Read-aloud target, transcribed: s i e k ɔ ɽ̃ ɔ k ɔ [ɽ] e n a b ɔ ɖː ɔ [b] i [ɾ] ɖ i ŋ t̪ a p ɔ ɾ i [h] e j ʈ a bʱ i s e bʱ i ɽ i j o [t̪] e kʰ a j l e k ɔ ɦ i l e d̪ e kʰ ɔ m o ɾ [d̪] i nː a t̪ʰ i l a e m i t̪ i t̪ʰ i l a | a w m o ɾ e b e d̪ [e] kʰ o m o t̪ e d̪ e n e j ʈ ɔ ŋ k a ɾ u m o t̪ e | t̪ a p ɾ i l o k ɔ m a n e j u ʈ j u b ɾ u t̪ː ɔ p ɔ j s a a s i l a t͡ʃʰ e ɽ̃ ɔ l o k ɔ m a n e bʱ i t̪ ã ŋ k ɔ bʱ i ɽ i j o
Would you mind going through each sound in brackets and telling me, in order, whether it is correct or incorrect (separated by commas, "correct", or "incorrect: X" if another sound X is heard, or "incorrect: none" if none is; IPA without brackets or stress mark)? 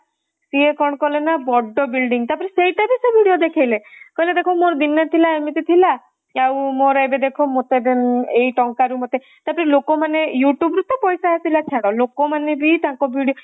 incorrect: l, correct, incorrect: l, incorrect: s, incorrect: d̪, correct, correct